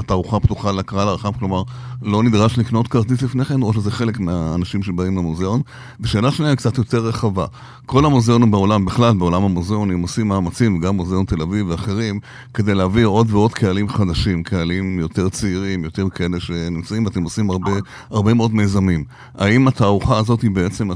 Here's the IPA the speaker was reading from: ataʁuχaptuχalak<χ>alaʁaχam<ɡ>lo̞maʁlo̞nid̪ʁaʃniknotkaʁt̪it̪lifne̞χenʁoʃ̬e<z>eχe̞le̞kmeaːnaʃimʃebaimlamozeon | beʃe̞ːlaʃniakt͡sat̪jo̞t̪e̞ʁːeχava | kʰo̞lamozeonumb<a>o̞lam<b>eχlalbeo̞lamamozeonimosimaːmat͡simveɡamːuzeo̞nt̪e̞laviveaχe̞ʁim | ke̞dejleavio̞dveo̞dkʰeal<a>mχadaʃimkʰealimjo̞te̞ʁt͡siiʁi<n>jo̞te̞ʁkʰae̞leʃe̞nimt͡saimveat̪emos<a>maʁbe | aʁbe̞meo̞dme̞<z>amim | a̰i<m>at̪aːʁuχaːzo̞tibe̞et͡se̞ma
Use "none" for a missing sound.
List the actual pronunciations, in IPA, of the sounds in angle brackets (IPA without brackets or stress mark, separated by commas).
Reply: ʁ, k, z, e, b, i, m, i, z, m